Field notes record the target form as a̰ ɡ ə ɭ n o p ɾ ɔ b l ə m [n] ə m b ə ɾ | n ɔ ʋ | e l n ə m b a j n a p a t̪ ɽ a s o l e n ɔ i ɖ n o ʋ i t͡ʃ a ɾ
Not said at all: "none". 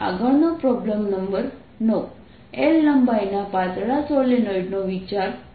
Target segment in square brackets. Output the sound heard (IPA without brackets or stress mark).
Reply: n